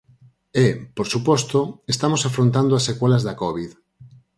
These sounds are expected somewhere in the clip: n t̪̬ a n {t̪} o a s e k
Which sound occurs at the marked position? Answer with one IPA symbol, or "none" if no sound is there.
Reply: d̪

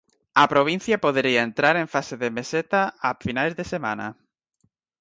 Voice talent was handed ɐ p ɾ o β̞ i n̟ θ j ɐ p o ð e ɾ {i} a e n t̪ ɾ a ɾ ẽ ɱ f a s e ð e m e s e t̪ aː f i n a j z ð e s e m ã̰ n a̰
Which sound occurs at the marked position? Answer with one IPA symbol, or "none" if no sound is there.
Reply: i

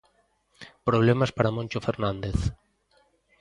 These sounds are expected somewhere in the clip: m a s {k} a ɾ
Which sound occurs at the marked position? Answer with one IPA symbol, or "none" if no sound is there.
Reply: p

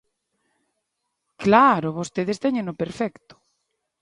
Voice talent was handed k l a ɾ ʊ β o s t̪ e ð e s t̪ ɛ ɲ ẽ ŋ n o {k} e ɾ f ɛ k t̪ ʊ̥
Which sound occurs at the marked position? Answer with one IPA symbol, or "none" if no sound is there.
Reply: p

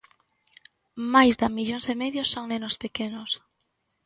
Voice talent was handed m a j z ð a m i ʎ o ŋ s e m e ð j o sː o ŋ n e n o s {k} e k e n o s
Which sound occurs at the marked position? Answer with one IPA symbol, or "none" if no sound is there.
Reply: p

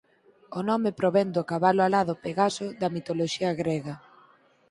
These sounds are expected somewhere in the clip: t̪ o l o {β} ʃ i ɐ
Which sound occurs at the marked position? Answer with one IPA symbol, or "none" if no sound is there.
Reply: none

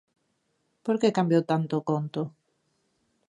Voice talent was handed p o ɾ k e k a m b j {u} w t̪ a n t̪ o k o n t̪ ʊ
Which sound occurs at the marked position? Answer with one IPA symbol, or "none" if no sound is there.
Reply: o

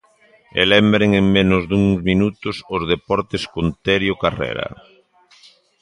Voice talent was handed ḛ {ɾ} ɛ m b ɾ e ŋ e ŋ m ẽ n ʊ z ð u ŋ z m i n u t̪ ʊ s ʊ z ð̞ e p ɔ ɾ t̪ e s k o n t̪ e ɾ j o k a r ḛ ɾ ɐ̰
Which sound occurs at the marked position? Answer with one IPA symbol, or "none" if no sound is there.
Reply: l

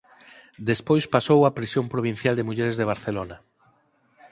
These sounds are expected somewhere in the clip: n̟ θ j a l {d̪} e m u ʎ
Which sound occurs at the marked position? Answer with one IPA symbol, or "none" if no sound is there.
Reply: d̪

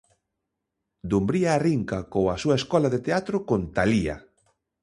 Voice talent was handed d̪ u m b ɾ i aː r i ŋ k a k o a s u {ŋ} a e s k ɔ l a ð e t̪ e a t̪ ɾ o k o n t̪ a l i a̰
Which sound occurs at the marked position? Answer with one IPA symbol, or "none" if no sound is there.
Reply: none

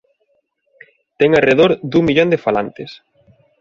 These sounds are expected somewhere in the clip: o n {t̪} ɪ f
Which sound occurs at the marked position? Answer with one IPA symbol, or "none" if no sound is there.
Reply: d̪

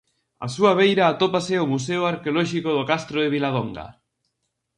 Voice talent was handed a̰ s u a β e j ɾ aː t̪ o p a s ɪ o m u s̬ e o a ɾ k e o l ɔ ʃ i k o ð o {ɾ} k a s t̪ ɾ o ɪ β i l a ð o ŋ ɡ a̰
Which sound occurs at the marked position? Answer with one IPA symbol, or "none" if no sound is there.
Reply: none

